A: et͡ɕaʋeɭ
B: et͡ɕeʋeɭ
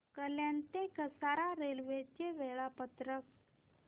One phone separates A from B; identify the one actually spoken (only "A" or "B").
B